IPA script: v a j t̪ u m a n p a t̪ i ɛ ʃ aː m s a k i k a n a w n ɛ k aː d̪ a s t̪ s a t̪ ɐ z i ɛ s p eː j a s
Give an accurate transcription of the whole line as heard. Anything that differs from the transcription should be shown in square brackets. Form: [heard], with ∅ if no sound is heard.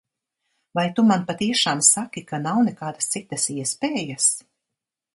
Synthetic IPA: v a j t̪ u m a n p a t̪ i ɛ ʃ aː m s a k i k a n a w n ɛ k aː d̪ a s t̪ s [i] t̪ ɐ [s] i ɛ s p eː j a s